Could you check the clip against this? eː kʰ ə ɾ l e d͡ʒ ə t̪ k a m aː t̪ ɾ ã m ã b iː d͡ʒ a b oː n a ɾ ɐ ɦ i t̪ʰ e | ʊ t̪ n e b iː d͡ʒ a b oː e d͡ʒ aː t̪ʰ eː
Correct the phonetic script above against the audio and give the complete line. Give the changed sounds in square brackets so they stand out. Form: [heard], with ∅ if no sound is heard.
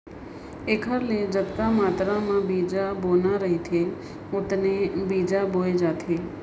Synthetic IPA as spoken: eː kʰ ə ɾ l e d͡ʒ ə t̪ k a m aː t̪ ɾ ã m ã b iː d͡ʒ a b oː n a ɾ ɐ ɦ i t̪ʰ e | ʊ t̪ n e b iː d͡ʒ a b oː e d͡ʒ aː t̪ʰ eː